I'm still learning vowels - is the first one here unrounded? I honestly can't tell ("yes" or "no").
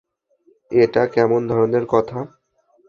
yes